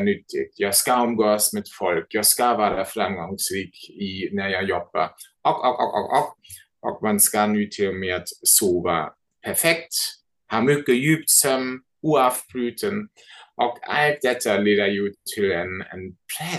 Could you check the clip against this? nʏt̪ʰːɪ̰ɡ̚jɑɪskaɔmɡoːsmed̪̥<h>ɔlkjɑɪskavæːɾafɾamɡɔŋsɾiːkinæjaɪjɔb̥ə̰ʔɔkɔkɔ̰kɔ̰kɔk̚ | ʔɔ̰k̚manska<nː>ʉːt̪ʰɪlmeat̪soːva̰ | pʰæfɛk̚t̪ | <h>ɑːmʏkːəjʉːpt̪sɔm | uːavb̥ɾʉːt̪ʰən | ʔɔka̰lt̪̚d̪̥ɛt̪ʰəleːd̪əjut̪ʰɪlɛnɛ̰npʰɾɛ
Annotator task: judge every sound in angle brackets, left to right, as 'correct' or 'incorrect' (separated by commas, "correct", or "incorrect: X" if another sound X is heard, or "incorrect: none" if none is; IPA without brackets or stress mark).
incorrect: f, incorrect: n, correct